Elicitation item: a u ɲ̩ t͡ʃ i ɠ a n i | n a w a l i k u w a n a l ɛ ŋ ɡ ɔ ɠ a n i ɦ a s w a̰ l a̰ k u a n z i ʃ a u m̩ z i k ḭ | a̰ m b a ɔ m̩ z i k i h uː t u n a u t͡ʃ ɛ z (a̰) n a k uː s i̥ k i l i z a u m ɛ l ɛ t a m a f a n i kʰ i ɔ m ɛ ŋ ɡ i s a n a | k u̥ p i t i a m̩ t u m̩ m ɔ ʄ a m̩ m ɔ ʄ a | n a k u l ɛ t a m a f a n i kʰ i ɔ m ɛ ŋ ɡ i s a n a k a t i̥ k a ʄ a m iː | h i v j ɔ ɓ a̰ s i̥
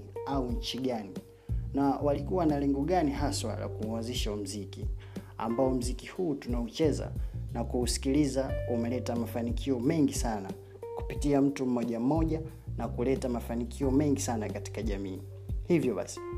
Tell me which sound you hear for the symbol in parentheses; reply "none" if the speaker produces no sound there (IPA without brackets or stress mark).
a̰